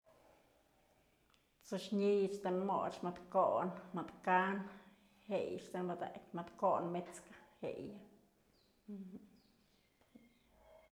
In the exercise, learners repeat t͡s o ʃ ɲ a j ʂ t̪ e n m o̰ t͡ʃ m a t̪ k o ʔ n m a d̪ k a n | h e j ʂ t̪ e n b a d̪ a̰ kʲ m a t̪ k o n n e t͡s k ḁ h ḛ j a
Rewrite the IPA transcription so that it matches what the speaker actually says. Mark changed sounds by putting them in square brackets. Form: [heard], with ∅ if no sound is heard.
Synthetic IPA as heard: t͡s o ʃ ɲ [i] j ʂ t̪ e n m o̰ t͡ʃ m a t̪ k o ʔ n m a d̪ k a n | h e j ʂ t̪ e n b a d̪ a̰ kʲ m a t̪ k o n [m] e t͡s k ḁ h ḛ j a